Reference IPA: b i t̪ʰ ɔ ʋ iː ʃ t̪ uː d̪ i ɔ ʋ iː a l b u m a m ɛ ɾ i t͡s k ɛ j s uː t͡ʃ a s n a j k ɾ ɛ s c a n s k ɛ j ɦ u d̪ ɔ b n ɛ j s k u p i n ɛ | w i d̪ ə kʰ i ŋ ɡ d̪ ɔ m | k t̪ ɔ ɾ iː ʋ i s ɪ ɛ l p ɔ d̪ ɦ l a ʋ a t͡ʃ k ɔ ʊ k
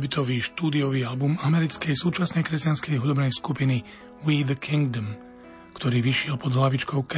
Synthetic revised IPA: b i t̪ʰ ɔ ʋ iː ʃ t̪ uː d̪ i ɔ ʋ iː a l b u m a m ɛ ɾ i t͡s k ɛ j s uː t͡ʃ a s n ɛ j k ɾ ɛ s c a n s k ɛ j ɦ u d̪ ɔ b n ɛ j s k u p i n i | w i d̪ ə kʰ i ŋ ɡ d̪ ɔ m | k t̪ ɔ ɾ iː ʋ i ʃ ɪ ɛ l p ɔ d̪ ɦ l a ʋ i t͡ʃ k ɔ ʊ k